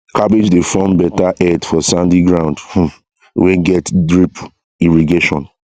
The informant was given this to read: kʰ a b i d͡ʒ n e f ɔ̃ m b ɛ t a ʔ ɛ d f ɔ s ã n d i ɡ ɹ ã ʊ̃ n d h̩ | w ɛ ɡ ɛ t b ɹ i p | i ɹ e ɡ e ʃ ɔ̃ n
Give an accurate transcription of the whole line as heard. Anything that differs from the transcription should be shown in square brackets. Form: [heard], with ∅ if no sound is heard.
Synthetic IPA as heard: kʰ a b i d͡ʒ [d] e f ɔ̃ m b ɛ t a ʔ ɛ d f ɔ s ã n d i ɡ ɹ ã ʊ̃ n d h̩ | w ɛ ɡ ɛ t [d] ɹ i p | i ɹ [i] ɡ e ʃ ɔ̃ n